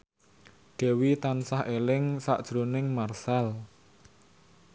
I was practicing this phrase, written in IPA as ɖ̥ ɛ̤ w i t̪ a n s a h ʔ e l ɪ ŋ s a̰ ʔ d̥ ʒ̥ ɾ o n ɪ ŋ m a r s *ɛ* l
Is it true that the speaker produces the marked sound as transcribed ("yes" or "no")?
no